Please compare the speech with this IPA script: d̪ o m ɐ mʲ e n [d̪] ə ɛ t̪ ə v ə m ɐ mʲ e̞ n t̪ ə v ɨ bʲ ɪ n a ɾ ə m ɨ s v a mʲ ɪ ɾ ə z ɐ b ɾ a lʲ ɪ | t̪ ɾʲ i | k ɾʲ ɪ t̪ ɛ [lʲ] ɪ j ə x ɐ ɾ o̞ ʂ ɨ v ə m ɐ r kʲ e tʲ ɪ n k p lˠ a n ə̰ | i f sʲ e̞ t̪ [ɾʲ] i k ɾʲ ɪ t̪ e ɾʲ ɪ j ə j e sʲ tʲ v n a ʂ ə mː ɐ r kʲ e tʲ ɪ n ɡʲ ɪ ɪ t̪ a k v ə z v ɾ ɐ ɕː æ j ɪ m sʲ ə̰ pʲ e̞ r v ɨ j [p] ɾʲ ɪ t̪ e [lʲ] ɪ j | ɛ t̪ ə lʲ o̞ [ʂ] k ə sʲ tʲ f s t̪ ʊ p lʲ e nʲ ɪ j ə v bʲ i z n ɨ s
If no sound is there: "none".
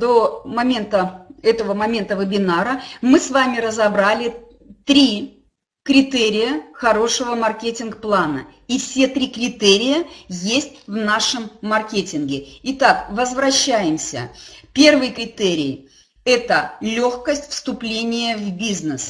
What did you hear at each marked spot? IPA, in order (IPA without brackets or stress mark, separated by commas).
t̪, ɾʲ, ɾʲ, k, ɾʲ, x